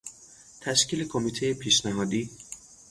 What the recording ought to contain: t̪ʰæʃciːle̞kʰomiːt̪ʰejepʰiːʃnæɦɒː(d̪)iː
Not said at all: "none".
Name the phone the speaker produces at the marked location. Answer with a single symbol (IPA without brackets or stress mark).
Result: d̪